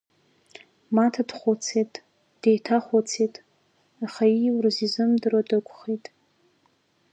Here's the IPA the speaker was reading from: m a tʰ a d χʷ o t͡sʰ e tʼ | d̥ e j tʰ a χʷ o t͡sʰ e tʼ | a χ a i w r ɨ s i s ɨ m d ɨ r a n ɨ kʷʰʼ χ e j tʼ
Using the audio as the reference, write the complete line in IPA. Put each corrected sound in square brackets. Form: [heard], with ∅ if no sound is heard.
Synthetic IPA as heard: m a tʰ a d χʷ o t͡sʰ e tʼ | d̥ e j tʰ a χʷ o t͡sʰ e tʼ | a χ a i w r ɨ [z] i [z] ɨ m d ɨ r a [d] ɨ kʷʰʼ χ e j tʼ